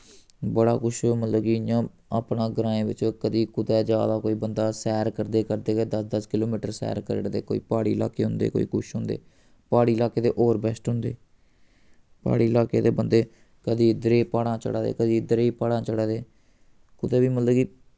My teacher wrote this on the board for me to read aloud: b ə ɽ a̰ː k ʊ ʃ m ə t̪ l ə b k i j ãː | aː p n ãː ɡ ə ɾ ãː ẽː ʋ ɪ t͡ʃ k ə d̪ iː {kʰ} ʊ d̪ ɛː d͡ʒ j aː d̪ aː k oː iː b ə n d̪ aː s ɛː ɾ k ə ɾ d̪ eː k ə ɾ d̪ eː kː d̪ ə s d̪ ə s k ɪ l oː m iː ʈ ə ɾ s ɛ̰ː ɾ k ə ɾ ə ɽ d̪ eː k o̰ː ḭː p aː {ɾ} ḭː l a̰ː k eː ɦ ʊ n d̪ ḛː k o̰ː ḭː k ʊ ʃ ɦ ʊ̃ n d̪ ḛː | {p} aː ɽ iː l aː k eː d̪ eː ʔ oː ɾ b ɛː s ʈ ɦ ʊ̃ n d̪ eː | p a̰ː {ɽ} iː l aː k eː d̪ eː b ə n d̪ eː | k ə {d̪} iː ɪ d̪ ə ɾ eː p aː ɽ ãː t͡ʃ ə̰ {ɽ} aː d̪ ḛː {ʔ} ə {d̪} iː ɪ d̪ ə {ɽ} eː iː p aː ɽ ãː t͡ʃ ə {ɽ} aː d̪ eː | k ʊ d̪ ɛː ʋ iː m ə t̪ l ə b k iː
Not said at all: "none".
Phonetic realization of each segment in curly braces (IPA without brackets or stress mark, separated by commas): k, ɽ, p, ɽ, d̪, ɽ, k, d̪, ɾ, ɽ